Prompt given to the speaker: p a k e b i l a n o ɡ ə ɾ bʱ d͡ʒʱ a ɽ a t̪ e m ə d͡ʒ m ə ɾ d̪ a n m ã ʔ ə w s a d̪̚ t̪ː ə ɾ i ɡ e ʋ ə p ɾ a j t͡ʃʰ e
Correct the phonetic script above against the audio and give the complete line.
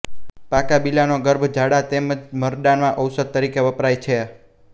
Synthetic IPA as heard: p a k a b i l a n o ɡ ə ɾ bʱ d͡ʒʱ a ɽ a t̪ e m ə d͡ʒ m ə ɾ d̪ a n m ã ʔ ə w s ə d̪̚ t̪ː ə ɾ i k e ʋ ə p ɾ a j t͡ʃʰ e

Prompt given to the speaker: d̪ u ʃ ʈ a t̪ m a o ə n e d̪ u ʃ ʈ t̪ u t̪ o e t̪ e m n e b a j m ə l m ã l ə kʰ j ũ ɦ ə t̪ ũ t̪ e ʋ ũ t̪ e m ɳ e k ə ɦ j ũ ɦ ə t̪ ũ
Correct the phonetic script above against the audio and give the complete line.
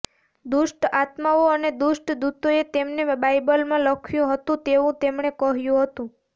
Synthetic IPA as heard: d̪ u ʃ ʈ a t̪ m a o ə n e d̪ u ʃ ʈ d̪ u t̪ o e t̪ e m n e b a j b ə l m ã l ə kʰ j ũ ɦ ə t̪ ũ t̪ e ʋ ũ t̪ e m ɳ e k ə ɦ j ũ ɦ ə t̪ ũ

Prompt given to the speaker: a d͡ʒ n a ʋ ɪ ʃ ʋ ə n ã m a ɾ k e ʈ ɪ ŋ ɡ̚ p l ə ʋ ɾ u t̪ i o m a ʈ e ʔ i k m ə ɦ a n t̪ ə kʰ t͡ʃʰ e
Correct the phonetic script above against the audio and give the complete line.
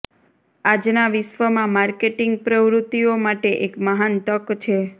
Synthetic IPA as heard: a d͡ʒ n a ʋ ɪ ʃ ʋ ə m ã m a ɾ k e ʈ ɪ ŋ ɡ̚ p ɾ ə ʋ ɾ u t̪ i o m a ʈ e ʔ e k m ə ɦ a n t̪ ə k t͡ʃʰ e

